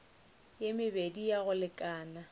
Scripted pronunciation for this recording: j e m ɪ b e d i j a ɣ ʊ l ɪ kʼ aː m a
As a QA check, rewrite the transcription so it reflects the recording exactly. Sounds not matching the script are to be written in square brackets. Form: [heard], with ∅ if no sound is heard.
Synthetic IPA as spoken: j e m ɪ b e d i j a ɣ ʊ l ɪ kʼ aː [n] a

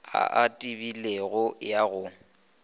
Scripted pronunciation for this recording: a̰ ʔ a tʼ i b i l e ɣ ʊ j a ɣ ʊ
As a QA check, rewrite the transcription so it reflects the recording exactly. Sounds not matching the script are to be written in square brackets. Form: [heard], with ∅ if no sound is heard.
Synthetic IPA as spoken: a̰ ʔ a tʼ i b i l e ɣ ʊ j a ɣ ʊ

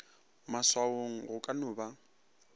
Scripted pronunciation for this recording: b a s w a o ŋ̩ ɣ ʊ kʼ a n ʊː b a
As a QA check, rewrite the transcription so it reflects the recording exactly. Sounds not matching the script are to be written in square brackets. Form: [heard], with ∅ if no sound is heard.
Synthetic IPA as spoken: [m] a s w a o ŋ̩ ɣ ʊ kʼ a n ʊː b a

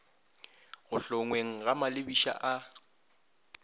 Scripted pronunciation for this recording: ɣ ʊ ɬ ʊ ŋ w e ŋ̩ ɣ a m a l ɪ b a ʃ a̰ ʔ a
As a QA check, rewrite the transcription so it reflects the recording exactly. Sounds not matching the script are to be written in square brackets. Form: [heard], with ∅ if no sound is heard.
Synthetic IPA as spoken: ɣ ʊ ɬ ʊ ŋ w e ŋ̩ ɣ a m a l ɪ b [i] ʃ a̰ ʔ a

